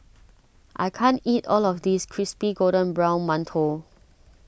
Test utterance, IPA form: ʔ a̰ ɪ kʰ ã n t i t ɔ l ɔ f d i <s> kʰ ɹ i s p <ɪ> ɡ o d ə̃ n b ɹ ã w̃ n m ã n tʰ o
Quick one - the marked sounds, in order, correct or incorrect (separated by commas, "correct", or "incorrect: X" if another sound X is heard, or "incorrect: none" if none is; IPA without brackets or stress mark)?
correct, incorrect: i